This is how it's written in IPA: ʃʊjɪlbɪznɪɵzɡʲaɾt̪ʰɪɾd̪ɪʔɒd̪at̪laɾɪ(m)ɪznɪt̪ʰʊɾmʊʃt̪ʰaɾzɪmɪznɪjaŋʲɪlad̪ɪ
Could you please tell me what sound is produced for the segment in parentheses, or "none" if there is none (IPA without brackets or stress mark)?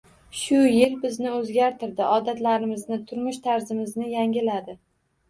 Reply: m